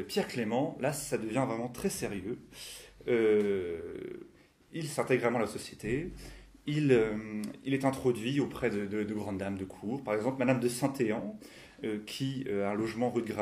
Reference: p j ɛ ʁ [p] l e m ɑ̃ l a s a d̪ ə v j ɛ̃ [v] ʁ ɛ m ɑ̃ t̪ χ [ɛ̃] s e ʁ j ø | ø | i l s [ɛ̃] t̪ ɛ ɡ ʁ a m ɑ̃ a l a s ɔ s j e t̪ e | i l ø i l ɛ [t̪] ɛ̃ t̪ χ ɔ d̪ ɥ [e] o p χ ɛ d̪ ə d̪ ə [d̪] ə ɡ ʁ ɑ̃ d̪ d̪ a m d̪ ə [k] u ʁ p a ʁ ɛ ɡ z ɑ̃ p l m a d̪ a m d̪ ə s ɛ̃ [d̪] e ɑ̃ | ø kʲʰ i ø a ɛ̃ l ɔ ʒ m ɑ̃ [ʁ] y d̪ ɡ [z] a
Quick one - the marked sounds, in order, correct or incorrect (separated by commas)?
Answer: incorrect, correct, incorrect, correct, correct, incorrect, correct, incorrect, incorrect, correct, incorrect